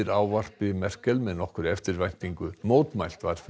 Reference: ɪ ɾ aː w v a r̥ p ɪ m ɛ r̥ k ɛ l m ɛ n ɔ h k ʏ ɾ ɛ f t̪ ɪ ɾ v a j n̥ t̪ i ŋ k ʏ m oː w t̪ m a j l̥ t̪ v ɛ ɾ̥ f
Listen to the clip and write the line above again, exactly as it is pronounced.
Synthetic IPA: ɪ ɾ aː w v a r̥ p ɪ m ɛ r̥ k ɛ l m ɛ n ɔ h k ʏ ɾ ɛ f t̪ ɪ ɾ v a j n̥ t̪ i ŋ k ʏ m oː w t̪ m a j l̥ t̪ v a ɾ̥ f